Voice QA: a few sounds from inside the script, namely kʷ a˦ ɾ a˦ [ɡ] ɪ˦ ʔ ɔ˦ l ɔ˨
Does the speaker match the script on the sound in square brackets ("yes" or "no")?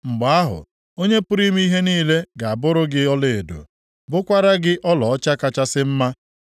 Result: yes